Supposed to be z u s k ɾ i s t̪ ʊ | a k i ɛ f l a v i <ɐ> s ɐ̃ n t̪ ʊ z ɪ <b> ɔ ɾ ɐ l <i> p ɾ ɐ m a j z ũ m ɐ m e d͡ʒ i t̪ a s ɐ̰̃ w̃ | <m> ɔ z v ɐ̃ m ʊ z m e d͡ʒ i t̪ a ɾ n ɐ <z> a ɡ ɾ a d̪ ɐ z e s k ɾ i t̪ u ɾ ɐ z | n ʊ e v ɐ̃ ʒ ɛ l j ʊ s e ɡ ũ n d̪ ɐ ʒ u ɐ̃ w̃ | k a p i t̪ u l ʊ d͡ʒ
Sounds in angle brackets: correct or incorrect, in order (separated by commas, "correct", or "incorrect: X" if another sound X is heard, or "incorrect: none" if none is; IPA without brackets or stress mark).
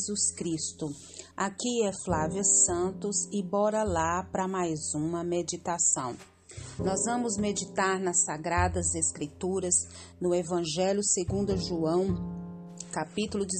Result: correct, correct, incorrect: a, incorrect: n, incorrect: s